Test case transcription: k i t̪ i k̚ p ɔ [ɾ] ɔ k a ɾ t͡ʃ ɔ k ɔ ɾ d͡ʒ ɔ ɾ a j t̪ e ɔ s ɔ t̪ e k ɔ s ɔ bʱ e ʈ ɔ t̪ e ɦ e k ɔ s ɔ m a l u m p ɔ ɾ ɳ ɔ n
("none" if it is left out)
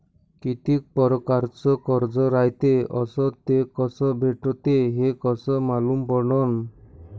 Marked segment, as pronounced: ɾ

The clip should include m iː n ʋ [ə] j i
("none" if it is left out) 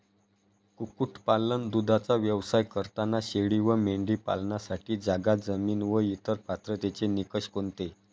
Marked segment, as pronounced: ə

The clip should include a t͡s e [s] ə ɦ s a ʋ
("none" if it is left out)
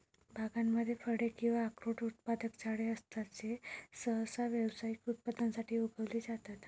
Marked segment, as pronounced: s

